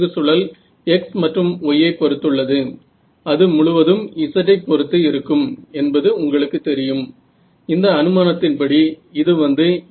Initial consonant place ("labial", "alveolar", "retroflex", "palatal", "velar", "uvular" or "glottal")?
alveolar